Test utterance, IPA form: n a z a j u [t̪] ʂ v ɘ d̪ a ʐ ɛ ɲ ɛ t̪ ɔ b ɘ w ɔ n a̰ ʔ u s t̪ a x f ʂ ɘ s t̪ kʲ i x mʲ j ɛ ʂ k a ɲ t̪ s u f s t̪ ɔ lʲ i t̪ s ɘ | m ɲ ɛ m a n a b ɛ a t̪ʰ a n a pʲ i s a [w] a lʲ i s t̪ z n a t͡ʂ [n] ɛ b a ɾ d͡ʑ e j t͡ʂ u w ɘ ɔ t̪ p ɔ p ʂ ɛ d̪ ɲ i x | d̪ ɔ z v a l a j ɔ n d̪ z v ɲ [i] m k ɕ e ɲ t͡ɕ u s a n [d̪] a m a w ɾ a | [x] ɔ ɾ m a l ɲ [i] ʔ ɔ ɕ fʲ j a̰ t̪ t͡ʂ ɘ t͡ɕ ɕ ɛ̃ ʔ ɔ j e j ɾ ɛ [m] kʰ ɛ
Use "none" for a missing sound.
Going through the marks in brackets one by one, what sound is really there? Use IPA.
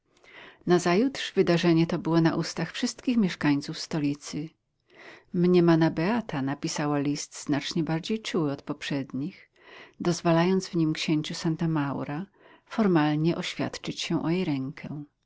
t̪, w, ɲ, i, t̪, f, ɛ, ŋ

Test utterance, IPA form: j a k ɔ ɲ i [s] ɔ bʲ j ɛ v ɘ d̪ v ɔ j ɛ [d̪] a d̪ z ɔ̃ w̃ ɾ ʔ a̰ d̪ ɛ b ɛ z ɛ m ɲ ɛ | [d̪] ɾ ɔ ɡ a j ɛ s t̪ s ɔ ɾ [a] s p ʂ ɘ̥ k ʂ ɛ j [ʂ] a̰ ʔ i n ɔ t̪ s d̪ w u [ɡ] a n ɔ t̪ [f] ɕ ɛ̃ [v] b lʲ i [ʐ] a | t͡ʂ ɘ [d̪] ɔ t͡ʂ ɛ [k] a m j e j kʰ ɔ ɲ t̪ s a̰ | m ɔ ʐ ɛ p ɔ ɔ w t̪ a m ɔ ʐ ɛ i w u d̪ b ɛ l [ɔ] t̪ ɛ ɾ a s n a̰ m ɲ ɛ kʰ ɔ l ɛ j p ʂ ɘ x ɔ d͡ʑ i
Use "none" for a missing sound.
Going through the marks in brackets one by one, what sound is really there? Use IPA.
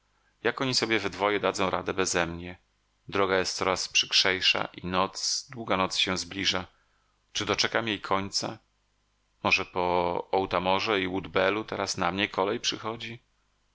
s, d̪, d̪, a, ʂ, ɡ, s, z, ʐ, d̪, k, u

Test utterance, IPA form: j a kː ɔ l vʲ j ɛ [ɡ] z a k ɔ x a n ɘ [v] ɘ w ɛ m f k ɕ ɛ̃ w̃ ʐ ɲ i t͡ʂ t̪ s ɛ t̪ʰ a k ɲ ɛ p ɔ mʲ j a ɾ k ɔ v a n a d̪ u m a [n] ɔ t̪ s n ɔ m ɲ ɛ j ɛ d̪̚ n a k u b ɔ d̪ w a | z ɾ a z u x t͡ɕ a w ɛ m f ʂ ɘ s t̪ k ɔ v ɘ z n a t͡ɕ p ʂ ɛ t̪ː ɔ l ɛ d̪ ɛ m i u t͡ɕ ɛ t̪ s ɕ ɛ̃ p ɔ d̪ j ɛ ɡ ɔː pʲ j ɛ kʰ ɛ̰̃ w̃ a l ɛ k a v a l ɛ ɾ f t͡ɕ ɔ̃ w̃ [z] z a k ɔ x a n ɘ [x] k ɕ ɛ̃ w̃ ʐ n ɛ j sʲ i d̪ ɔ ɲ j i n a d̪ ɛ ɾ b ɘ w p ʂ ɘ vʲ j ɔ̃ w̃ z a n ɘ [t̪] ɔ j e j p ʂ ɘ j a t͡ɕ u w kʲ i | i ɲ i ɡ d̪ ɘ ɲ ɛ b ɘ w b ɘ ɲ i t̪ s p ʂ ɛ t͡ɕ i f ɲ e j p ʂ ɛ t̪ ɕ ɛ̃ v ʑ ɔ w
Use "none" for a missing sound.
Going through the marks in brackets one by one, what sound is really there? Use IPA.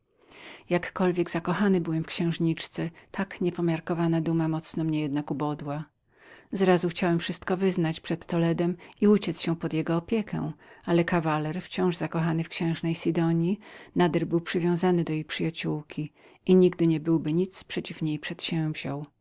ɡ, b, m, ʐ, f, d̪

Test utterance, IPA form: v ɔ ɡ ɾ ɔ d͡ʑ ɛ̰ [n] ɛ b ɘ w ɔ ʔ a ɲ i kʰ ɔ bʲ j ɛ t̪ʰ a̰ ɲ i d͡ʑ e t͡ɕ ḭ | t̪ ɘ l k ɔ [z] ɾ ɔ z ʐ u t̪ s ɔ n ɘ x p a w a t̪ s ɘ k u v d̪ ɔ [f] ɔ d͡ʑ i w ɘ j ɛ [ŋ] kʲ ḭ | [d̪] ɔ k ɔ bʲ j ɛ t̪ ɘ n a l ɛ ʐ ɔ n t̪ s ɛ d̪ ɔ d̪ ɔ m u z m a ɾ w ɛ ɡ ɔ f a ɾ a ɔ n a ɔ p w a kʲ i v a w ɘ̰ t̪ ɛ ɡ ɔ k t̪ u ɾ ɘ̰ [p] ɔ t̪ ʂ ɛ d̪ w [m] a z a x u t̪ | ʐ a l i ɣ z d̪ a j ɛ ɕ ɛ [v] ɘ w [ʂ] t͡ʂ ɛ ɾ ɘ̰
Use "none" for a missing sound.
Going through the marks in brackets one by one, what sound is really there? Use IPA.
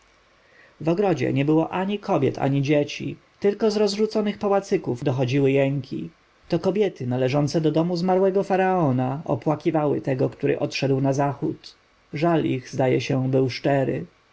ɲ, z, x, ŋ, t̪, ʔ, n, b, ʂ

